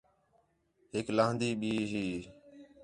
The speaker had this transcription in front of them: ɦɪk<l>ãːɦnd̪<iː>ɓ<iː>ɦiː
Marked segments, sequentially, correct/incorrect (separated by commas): correct, correct, correct